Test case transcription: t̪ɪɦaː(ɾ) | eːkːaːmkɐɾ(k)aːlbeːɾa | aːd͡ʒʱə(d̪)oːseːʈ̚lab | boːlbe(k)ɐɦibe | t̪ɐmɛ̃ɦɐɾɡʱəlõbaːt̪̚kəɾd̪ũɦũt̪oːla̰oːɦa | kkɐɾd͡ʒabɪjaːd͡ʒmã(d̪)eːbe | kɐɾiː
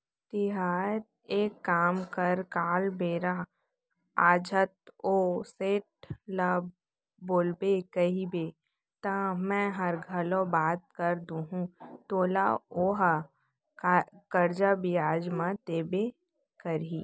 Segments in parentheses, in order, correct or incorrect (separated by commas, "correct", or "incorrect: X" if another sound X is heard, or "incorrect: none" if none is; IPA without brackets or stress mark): correct, correct, incorrect: t̪, correct, incorrect: t̪